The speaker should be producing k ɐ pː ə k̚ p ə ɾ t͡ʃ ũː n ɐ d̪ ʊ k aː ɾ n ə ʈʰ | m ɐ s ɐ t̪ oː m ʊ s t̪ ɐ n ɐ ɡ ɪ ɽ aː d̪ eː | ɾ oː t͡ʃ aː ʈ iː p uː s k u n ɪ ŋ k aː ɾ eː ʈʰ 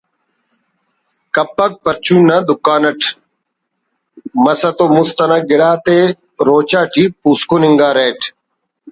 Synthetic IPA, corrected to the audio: k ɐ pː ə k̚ p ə ɾ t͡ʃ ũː n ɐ d̪ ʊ k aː n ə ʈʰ | m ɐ s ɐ t̪ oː m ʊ s t̪ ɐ n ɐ ɡ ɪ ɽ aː t̪ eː | ɾ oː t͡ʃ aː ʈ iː p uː s k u n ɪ ŋ ɡ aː ɾ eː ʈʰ